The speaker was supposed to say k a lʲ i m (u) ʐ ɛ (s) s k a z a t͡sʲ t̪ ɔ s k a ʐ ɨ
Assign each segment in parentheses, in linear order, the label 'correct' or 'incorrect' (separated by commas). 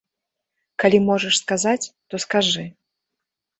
incorrect, incorrect